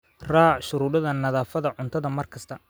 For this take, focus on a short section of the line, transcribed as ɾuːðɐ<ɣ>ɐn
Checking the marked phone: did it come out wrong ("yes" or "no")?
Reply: yes